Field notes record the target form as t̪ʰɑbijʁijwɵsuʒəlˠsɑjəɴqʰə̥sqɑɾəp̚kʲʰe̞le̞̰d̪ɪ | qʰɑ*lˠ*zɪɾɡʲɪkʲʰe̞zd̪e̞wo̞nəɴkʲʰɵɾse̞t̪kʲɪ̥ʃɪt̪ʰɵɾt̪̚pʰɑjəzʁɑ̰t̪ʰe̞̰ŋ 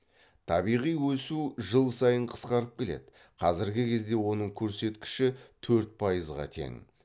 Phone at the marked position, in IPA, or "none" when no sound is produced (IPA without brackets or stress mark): none